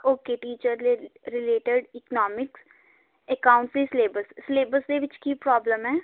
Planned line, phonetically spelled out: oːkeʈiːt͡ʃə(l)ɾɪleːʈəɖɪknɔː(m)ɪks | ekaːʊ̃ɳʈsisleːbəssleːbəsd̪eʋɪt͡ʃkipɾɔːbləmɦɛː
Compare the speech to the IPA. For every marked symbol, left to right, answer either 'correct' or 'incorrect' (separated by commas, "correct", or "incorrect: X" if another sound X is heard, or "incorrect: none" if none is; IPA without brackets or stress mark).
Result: incorrect: ɾ, correct